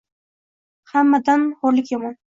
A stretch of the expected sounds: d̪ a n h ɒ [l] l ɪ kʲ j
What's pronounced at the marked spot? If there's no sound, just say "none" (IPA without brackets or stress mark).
ɾ